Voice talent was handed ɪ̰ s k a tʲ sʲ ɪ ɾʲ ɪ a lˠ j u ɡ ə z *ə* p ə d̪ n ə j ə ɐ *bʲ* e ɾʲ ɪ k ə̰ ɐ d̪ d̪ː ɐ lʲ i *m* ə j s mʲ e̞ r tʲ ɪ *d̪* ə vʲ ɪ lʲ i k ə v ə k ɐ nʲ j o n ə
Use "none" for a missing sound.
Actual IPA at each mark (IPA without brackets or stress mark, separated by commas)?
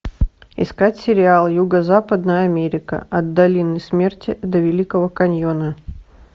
a, mʲ, n, d̪